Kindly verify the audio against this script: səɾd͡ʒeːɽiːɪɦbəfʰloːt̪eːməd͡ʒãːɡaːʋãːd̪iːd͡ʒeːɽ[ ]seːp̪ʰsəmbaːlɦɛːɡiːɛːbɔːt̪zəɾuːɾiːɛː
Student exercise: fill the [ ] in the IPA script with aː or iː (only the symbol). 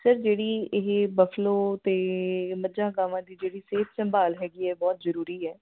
iː